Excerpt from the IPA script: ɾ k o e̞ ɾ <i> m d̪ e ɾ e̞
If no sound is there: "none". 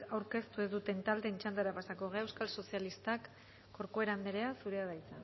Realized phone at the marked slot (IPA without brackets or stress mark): a